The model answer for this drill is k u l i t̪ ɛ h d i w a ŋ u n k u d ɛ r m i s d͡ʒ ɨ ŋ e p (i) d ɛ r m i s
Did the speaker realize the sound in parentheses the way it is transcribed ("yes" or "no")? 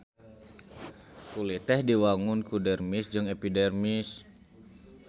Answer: yes